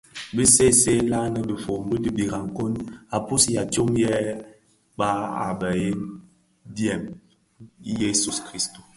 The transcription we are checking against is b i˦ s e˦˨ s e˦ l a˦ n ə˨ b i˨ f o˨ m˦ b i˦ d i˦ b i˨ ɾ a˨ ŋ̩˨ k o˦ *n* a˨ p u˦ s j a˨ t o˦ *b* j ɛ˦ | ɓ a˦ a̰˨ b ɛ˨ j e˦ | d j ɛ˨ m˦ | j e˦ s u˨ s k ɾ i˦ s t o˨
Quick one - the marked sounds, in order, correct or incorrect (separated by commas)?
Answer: correct, incorrect